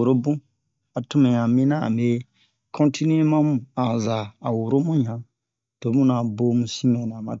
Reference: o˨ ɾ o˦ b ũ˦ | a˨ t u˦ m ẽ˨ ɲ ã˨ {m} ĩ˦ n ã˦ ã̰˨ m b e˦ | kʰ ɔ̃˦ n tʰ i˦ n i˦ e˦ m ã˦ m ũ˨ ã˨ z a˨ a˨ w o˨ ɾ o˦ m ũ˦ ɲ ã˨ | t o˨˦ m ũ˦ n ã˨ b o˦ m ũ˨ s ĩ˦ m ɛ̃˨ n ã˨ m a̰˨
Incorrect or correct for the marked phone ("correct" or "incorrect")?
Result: correct